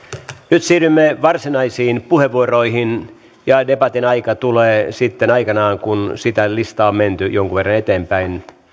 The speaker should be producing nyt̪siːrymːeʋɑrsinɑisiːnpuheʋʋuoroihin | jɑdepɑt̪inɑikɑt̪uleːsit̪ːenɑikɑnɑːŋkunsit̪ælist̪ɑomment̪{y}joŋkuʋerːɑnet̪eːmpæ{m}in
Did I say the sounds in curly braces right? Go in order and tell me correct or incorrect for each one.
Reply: correct, incorrect: none

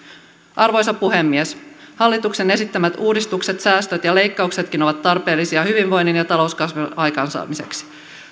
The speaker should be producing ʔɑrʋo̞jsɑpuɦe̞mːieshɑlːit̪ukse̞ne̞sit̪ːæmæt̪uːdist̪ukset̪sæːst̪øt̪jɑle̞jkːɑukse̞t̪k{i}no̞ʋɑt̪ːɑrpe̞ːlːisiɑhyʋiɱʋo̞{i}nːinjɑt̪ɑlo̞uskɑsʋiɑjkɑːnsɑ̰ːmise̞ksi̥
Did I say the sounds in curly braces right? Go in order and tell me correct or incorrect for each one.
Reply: correct, incorrect: j

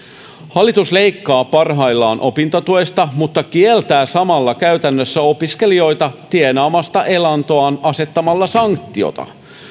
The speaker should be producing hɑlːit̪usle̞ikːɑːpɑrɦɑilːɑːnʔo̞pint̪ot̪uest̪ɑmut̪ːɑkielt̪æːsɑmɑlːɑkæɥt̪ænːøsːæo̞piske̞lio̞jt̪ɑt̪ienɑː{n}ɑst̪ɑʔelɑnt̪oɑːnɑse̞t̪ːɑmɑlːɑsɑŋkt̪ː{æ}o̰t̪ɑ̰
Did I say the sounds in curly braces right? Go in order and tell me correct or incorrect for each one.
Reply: incorrect: m, incorrect: i

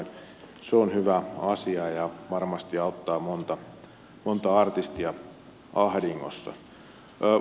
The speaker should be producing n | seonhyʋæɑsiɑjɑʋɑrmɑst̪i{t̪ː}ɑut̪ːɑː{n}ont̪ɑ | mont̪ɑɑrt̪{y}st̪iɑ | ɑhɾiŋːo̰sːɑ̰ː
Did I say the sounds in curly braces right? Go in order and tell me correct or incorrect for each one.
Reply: incorrect: none, incorrect: m, incorrect: i

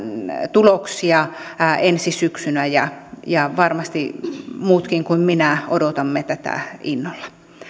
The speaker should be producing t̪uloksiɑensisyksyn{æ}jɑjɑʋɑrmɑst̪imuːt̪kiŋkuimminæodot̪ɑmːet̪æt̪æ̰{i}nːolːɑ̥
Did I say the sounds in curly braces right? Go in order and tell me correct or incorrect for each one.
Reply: correct, correct

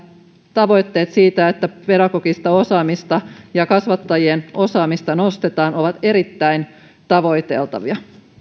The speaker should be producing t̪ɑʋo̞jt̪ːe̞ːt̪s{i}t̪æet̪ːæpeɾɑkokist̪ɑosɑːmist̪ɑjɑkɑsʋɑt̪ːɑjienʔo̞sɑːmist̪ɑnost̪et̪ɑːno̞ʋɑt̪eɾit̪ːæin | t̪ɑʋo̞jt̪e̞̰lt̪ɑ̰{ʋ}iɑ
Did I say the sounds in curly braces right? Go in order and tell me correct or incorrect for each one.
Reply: incorrect: iː, correct

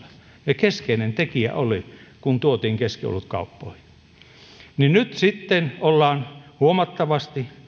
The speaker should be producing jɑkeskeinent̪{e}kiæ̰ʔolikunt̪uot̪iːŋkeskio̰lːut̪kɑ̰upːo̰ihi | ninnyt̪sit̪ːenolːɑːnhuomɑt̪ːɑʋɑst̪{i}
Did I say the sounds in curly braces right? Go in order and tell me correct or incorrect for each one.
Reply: correct, correct

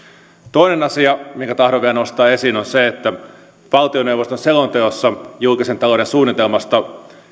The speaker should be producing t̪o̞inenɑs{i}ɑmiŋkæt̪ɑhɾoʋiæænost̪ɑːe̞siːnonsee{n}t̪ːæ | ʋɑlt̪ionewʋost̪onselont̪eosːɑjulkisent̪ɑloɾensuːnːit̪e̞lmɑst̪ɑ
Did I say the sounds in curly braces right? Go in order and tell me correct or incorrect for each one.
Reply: correct, incorrect: none

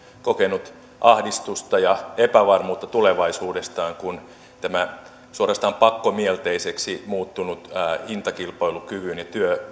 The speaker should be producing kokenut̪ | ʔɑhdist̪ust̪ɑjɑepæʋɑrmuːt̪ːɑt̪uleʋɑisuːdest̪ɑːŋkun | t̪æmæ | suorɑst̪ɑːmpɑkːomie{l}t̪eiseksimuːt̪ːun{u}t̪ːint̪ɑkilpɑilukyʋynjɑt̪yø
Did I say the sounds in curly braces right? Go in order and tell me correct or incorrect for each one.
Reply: correct, correct

